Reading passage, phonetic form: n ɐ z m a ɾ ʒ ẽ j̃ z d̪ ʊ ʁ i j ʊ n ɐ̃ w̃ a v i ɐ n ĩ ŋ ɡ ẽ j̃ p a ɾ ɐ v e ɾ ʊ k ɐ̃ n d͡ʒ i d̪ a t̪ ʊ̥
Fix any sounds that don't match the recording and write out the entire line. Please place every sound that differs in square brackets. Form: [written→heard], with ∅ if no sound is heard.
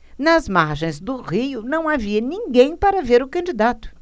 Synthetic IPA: n ɐ z m a ɾ ʒ ẽ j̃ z d̪ ʊ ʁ i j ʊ n ɐ̃ w̃ a v i ɐ n ĩ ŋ ɡ ẽ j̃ p a ɾ ɐ v e ɾ ʊ k ɐ̃ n d͡ʒ i d̪ a t̪ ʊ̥